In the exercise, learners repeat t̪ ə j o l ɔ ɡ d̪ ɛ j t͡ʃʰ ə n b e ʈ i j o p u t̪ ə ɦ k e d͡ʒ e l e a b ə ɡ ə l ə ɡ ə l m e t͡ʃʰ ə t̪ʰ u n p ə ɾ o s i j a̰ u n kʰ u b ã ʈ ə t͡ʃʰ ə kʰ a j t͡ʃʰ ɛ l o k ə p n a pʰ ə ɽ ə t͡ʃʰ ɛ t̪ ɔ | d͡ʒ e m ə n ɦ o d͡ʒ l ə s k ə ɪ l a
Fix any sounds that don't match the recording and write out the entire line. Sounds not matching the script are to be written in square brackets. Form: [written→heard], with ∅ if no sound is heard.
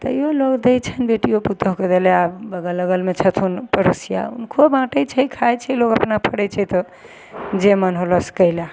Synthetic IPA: t̪ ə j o l [ɔ→o] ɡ d̪ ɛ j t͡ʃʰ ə n b e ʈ i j o p u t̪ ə ɦ k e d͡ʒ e l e a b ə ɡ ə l ə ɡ ə l m e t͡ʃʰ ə t̪ʰ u n p ə ɾ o s i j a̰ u n kʰ [u→o] b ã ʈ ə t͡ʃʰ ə kʰ a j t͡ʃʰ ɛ l o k ə p n a pʰ ə ɽ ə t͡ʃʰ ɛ t̪ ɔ | d͡ʒ e m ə n ɦ o [d͡ʒ→∅] l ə s k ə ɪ l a